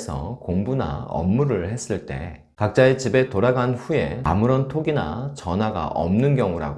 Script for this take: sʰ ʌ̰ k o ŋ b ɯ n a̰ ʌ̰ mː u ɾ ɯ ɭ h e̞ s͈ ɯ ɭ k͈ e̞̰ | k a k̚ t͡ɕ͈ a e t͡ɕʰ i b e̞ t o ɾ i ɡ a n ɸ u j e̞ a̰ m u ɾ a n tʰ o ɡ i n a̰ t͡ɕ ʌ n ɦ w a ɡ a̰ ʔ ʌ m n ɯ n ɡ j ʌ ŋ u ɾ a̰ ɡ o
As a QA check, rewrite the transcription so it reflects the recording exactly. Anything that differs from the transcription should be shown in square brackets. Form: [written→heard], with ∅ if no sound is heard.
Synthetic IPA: sʰ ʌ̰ k o ŋ b [ɯ→u] n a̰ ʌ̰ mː u ɾ ɯ ɭ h e̞ s͈ ɯ ɭ [k͈→t͈] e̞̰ | k a k̚ t͡ɕ͈ a e [t͡ɕʰ→t͡ɕ] i b e̞ t o ɾ [i→a] ɡ a n ɸ u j e̞ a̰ m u ɾ [a→ʌ] n tʰ o ɡ i n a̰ t͡ɕ ʌ n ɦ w a ɡ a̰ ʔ ʌ m n ɯ n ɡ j ʌ ŋ u ɾ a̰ ɡ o